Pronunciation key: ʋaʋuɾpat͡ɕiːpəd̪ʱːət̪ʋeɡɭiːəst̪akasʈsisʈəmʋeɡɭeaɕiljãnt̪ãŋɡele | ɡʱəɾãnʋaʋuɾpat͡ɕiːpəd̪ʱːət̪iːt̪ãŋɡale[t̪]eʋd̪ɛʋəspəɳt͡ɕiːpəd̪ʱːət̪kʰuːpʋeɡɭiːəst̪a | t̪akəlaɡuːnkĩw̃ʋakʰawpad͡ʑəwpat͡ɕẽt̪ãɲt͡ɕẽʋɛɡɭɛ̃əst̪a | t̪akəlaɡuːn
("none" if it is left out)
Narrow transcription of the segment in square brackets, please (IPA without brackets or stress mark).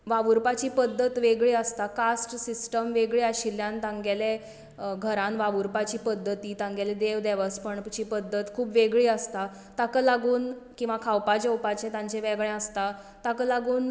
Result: d̪